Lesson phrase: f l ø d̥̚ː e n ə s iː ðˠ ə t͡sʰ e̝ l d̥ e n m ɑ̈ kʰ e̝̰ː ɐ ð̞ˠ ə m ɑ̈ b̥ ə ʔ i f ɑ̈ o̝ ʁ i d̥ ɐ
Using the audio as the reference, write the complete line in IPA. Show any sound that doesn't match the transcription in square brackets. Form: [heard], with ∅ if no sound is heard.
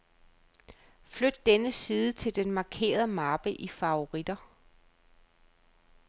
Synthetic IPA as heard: f l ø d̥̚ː e n ə s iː ðˠ ə t͡sʰ e̝ l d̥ e n m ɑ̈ kʰ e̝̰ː ɐ ð̞ˠ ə m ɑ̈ b̥ ə ʔ i f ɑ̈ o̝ ʁ i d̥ ɐ